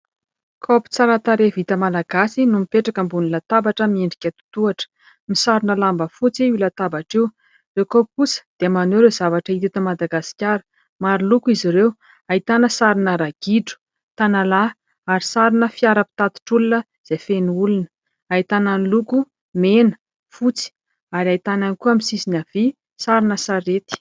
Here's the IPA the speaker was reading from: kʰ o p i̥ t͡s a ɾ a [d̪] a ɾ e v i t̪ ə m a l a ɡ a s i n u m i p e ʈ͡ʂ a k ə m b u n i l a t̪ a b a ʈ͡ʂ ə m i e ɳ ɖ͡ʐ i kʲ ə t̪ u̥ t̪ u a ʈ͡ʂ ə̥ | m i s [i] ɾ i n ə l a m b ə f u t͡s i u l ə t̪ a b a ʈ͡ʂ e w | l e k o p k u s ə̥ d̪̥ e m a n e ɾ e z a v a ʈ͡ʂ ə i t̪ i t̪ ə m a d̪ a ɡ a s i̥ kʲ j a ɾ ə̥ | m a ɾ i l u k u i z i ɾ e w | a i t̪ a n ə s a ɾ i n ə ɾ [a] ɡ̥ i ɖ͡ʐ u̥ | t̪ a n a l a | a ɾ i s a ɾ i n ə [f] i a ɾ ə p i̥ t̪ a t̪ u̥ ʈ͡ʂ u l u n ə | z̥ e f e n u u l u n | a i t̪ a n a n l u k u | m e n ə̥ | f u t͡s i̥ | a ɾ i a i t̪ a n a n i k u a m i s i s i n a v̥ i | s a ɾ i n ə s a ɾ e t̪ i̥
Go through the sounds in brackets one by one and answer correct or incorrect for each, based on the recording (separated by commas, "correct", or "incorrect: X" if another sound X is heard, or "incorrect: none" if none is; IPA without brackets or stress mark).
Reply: incorrect: t̪, incorrect: a, correct, correct